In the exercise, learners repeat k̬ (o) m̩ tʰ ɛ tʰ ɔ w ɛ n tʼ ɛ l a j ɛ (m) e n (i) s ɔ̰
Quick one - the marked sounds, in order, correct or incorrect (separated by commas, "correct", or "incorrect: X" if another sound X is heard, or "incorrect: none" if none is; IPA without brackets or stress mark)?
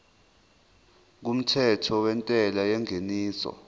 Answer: incorrect: u, incorrect: ŋ, incorrect: iː